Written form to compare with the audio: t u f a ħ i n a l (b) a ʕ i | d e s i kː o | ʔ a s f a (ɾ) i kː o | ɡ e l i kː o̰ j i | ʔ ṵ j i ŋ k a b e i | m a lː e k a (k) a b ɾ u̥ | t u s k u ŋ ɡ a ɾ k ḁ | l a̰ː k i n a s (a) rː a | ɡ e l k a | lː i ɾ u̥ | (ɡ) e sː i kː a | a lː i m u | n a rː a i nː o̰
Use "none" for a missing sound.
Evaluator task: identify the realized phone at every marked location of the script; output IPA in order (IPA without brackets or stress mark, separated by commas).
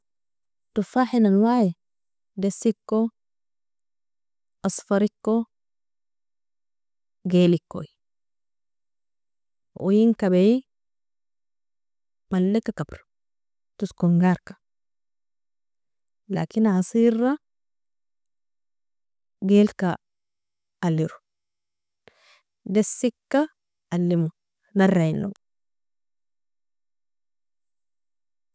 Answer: w, ɾ, k, i, d